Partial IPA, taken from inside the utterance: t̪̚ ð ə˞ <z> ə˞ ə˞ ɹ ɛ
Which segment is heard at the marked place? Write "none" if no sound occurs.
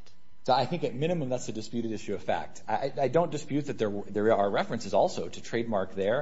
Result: ð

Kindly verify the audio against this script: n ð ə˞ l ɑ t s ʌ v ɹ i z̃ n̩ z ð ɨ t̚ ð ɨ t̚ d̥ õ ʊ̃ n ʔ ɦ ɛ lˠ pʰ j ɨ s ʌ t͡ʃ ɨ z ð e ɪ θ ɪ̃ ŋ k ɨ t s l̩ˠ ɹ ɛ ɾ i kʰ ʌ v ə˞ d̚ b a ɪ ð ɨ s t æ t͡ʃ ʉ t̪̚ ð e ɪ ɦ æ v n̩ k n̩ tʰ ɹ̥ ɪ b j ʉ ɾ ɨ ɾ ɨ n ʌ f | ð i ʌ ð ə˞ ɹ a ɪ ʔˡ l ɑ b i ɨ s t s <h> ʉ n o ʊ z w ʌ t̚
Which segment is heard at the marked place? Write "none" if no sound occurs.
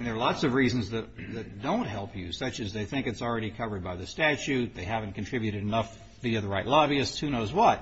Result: h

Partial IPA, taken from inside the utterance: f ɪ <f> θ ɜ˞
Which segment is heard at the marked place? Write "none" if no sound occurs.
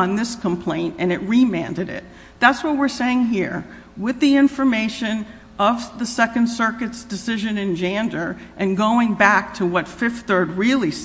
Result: f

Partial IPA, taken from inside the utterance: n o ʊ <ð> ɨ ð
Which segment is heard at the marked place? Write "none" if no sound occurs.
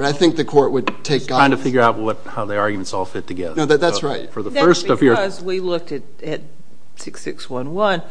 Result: ð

